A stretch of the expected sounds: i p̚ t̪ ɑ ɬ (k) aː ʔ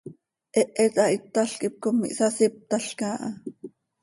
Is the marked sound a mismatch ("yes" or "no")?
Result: no